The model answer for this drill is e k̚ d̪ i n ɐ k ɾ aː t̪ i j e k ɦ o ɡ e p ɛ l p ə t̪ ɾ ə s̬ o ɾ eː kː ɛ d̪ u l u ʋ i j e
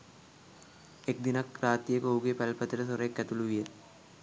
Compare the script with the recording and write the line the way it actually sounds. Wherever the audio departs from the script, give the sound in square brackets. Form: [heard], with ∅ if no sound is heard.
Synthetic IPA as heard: e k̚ d̪ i n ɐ k ɾ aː t̪ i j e k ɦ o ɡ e p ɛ l p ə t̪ ɾ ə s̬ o ɾ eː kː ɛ [t̪] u l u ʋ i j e